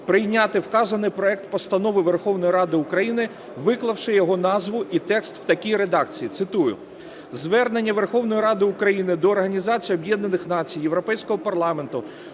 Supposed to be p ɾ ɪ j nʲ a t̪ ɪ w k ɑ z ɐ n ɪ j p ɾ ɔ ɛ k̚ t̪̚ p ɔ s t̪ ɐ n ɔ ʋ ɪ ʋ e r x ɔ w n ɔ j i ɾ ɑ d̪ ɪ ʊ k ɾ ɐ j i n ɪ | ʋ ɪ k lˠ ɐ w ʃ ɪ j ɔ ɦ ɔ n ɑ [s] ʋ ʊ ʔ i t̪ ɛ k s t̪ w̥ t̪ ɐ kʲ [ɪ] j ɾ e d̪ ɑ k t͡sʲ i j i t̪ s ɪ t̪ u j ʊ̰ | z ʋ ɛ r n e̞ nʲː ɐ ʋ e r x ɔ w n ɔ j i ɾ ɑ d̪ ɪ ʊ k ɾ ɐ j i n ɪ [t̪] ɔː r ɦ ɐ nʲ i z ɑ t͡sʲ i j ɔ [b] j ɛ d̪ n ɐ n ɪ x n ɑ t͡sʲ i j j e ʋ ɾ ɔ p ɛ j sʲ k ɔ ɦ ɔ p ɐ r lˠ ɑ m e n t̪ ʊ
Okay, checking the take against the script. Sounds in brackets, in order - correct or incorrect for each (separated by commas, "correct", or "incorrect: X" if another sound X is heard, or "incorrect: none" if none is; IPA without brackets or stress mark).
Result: incorrect: z, incorrect: i, incorrect: d̪, correct